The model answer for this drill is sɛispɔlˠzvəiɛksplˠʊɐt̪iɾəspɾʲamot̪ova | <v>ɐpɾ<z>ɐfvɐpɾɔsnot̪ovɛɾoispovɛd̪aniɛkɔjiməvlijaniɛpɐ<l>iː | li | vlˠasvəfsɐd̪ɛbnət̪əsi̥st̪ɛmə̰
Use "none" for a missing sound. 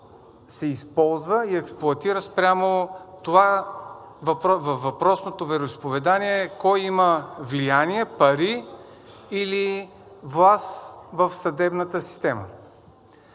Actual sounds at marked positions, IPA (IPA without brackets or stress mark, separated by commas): v, v, ɾ